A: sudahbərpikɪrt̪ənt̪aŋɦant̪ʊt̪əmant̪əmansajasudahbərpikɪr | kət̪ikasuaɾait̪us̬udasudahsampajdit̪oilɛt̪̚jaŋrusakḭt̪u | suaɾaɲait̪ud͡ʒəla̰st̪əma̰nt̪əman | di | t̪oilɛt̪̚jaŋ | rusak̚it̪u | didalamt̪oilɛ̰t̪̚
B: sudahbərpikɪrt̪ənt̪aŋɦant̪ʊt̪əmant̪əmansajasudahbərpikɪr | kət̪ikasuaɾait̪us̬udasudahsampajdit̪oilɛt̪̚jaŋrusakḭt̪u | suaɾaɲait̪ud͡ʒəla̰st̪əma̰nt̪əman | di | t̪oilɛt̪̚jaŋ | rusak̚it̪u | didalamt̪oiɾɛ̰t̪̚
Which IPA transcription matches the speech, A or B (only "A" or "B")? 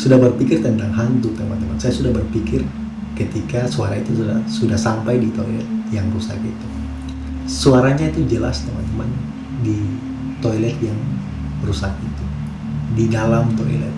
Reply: A